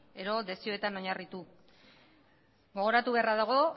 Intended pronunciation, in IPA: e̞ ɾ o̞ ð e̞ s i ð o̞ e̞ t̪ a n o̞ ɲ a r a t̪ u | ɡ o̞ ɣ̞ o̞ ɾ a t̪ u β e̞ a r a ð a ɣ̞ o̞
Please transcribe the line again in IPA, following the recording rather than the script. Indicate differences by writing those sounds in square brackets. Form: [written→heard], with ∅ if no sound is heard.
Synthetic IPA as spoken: e̞ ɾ o̞ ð e̞ s i [ð→∅] o̞ e̞ t̪ a n o̞ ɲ a r [a→i] t̪ u | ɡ o̞ ɣ̞ o̞ ɾ a t̪ u β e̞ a r a ð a ɣ̞ o̞